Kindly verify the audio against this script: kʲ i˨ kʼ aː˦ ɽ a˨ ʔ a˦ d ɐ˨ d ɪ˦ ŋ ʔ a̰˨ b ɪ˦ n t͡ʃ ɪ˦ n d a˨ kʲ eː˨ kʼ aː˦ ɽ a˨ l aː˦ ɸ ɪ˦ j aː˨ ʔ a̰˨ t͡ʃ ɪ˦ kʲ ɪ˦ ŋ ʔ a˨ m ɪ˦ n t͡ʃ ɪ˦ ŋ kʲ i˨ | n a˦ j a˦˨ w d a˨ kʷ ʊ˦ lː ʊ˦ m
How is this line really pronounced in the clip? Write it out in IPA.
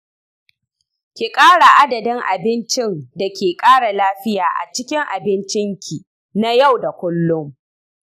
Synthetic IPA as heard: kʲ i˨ kʼ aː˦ ɽ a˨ ʔ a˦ d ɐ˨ d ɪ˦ ŋ ʔ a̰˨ b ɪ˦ n t͡ʃ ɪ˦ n d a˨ kʲ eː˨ kʼ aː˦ ɽ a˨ l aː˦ ɸ ɪ˦ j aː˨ ʔ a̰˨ t͡ʃ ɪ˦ kʲ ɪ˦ ŋ ʔ a˨ b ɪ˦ n t͡ʃ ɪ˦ ŋ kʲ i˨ | n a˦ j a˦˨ w d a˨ kʷ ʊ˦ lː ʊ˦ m